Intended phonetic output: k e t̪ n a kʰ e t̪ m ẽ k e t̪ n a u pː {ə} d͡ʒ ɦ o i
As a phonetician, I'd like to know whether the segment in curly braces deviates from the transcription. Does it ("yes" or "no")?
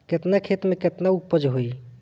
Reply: no